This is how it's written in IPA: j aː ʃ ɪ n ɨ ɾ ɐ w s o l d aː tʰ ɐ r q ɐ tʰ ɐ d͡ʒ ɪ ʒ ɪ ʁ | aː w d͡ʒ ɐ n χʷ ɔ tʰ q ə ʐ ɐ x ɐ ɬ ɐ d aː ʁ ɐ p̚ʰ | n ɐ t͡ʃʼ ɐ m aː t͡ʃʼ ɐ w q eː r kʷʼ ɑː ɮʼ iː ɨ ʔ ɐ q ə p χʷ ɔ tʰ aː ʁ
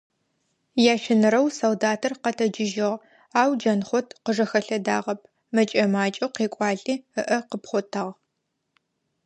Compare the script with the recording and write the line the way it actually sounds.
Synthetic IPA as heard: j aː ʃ ɪ n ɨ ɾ ɐ w s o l d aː tʰ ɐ r q ɐ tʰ ɐ d͡ʒ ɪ ʒ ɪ ʁ | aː w d͡ʒ ɐ n χʷ ɔ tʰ q ə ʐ ɐ x ɐ ɬ ɐ d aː ʁ ɐ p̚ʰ | m ɐ t͡ʃʼ ɐ m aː t͡ʃʼ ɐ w q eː kʷʼ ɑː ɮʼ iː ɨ ʔ ɐ q ə p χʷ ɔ tʰ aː ʁ